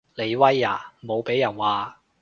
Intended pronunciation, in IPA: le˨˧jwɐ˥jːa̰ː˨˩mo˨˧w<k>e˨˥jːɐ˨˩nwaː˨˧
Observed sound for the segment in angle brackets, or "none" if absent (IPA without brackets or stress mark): p